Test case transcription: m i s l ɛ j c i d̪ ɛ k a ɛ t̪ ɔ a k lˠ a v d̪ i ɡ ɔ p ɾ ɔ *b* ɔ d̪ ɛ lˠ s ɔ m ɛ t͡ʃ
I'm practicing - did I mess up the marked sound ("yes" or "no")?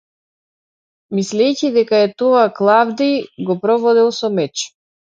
yes